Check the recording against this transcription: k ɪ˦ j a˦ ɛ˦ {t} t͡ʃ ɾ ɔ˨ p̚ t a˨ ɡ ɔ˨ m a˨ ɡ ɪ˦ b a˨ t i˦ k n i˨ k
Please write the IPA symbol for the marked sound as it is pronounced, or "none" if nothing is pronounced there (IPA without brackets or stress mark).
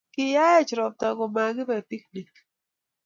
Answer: none